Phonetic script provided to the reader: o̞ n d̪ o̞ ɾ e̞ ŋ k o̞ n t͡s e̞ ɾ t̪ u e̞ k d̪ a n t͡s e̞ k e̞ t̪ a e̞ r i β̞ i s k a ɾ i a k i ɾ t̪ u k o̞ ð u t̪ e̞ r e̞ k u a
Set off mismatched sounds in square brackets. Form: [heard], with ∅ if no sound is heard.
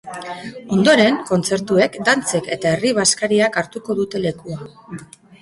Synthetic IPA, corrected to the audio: o̞ n d̪ o̞ ɾ e̞ ŋ k o̞ n t͡s e̞ ɾ t̪ u e̞ k d̪ a n t͡s e̞ k e̞ t̪ a e̞ r i β̞ [a] s k a ɾ i a k [a] ɾ t̪ u k o̞ ð u t̪ e̞ [l] e̞ k u a